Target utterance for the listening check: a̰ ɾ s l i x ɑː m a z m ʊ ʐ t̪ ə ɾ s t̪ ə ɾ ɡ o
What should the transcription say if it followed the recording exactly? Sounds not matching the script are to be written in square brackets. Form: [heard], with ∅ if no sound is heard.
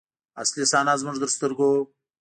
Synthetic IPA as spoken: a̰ [∅] s l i [s] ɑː [n] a z m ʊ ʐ [d̪] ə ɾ s t̪ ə ɾ ɡ o